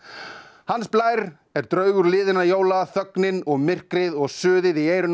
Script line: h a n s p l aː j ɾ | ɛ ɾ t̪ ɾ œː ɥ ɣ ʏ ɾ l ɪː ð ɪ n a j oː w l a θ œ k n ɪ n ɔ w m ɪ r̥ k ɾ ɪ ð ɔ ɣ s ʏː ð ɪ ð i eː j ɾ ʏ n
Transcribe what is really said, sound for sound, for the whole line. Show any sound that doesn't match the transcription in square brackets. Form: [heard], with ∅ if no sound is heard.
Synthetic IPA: h a n s p l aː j ɾ | ɛ ɾ t̪ ɾ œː ɥ ɣ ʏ ɾ l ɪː ð ɪ n a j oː w l a θ œ k n ɪ n ɔ [ɣ] m ɪ r̥ k ɾ ɪ ð ɔ ɣ s ʏː ð ɪ ð i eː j ɾ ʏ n

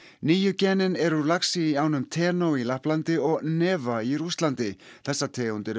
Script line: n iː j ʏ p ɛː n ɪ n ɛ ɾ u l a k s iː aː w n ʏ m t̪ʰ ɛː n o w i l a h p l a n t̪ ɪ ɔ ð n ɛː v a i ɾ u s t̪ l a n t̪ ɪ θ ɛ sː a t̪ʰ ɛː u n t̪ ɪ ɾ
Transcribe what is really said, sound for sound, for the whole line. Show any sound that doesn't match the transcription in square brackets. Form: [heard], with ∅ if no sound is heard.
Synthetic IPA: n iː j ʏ [c] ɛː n ɪ n ɛ ɾ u l a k s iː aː w n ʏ m t̪ʰ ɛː n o w i l a h p l a n t̪ ɪ ɔ [ɣ] n ɛː v a i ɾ u s t̪ l a n t̪ ɪ θ ɛ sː a t̪ʰ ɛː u n t̪ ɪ ɾ

